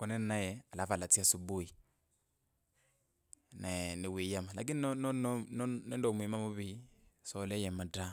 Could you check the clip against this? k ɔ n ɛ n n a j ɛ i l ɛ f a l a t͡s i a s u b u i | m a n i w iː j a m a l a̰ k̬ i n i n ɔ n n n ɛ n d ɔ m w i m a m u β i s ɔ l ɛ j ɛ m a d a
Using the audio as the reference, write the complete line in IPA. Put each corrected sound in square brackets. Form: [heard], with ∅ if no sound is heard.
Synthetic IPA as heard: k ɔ n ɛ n n a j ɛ [a] l [a] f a l a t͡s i a s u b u i | [n] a n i w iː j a m a l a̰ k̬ i n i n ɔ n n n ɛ n d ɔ m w i m a m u β i s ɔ l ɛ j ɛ m a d a

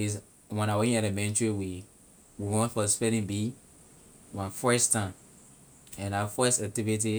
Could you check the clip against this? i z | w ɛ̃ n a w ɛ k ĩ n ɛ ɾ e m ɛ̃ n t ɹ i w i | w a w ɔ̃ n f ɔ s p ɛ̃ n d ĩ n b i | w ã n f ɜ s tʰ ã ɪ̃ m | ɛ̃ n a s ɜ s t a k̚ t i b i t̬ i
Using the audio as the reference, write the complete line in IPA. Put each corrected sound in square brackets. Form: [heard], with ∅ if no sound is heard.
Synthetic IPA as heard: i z | w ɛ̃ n a w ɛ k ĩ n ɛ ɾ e m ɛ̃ n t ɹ i w i | w [i] w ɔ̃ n f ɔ s p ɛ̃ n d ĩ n b i | w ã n f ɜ s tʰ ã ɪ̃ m | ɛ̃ n a [f] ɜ s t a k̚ t i [v] i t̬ i

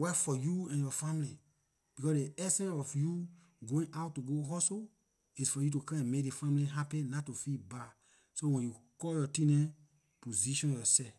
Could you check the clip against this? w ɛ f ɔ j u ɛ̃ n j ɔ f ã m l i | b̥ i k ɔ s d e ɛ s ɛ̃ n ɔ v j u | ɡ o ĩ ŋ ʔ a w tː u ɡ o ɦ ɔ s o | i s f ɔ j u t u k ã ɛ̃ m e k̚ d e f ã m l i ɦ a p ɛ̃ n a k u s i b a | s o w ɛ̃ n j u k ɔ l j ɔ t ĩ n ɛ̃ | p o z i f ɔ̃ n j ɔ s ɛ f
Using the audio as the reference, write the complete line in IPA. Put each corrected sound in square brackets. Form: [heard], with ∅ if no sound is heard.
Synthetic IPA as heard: w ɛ f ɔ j u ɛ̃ n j ɔ f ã m l i | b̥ i k ɔ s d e ɛ s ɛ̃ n ɔ [f] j u | ɡ o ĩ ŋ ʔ a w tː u ɡ o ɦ ɔ s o | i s f ɔ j u t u k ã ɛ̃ m e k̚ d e f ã m l i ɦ a p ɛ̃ n a [t] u [f] i b a | s o w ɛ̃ n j u k ɔ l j ɔ t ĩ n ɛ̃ | p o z i [ʃ] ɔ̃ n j ɔ s ɛ f

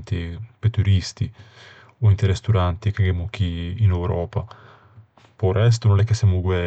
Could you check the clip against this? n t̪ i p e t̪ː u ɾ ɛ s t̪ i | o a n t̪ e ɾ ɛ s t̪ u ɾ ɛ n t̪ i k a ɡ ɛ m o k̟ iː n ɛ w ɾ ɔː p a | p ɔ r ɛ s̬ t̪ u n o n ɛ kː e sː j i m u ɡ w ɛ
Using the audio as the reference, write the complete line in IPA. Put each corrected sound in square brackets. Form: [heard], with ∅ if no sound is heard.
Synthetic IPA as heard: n t̪ i p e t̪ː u ɾ [i] s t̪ i | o [i] n t̪ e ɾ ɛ s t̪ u ɾ [a] n t̪ i k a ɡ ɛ m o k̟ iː n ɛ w ɾ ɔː p a | p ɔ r ɛ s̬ t̪ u n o n ɛ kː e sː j [a] m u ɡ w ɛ

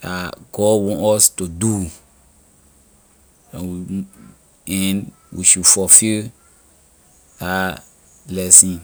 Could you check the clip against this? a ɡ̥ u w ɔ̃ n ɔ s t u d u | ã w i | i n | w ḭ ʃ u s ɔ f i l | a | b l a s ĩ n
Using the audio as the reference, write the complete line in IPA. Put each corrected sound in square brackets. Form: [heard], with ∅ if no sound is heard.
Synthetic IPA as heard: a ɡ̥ [ɔ] w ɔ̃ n ɔ s t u d u | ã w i | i n | w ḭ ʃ u [f] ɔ f i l | a | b l [ɛ] s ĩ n

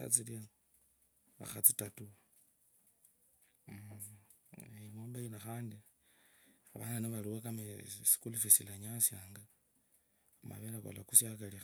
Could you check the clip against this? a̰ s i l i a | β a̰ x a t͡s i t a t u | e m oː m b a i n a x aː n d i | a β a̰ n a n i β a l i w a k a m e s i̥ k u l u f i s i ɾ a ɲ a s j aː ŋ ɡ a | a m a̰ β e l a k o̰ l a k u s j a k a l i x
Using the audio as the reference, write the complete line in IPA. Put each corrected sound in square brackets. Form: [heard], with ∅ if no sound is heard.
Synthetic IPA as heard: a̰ [t͡s] i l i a | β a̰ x a t͡s i t a t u | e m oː m b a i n a x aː n d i | a β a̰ n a n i β a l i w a k a m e s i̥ k u l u f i s i [l] a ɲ a s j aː ŋ ɡ a | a m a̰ β e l a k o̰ l a k u s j a k a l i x

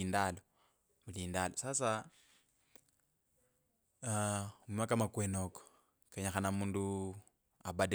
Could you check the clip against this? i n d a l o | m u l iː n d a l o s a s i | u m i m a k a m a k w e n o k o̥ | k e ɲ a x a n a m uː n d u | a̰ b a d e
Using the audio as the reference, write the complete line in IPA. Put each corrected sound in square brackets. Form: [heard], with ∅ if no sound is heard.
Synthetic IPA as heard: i n d a l o | m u l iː n d a l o s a s [a] | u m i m a k a m a k w e n o k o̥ | k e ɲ a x a n a m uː n d u | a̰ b a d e

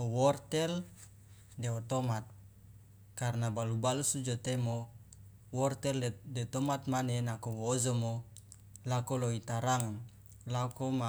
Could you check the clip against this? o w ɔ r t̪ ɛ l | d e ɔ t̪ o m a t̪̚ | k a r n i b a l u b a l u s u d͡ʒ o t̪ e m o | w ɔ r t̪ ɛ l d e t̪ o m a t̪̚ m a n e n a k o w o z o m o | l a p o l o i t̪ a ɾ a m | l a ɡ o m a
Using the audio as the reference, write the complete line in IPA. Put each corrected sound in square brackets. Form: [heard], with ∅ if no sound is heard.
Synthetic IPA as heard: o w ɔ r t̪ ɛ l | d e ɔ t̪ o m a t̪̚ | k a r n [a] b a l u b a l u s u d͡ʒ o t̪ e m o | w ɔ r t̪ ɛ l d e t̪ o m a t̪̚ m a n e n a k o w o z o m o | l a [k] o l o i t̪ a ɾ a [ŋ] | l a [k] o m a

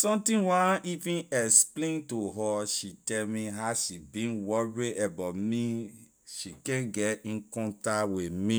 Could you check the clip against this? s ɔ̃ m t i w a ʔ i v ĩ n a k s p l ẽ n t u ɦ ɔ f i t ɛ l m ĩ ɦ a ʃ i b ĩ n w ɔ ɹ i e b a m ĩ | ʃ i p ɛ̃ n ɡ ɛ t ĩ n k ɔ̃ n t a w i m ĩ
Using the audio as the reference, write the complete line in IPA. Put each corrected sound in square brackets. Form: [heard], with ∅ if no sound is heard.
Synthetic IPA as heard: s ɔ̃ m t [ĩ] w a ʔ i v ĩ n [ɛ] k s p l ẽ n t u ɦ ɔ [ʃ] i t ɛ l m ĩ ɦ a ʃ i b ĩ n w ɔ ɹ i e b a m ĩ | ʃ i [k] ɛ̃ n ɡ ɛ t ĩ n k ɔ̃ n t a w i m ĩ

